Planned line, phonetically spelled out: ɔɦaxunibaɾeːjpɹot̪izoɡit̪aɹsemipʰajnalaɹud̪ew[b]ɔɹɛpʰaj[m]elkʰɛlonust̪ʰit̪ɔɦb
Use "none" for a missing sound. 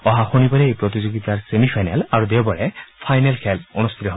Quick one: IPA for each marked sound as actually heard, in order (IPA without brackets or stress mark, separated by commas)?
b, n